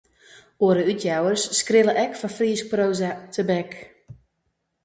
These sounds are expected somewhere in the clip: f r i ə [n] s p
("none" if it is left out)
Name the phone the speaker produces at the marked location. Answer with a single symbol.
none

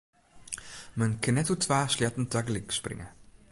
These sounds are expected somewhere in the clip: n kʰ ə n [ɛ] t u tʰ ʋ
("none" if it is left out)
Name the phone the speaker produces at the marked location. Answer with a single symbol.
ɛ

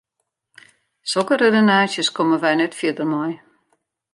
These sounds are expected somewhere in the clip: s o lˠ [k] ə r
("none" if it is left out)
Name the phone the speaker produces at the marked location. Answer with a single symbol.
k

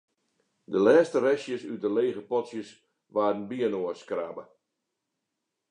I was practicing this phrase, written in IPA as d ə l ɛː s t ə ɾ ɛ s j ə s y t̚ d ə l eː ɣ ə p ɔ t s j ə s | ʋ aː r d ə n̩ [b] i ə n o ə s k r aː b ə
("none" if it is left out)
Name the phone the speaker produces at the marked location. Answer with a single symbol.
b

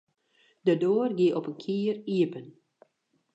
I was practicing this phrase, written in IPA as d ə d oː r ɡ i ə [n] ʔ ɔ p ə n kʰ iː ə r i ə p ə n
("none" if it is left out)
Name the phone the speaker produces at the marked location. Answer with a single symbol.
none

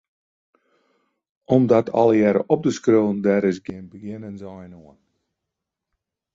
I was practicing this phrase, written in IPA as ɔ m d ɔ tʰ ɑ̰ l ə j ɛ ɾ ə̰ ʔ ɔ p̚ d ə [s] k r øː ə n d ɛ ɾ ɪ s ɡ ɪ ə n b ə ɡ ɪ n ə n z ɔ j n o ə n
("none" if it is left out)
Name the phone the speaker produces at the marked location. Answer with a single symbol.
s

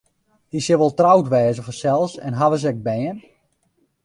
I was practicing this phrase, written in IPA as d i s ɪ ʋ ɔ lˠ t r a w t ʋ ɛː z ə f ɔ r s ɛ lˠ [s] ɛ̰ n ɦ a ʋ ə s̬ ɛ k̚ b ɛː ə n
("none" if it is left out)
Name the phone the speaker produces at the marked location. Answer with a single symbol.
s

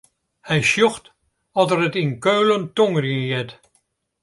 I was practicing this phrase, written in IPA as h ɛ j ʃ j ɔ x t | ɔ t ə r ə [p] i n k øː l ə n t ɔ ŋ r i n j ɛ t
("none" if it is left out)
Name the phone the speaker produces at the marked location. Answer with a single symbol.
t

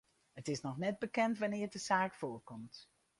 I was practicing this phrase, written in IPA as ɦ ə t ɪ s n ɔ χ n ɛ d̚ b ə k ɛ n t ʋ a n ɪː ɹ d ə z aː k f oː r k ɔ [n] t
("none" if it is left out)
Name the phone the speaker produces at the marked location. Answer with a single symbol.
m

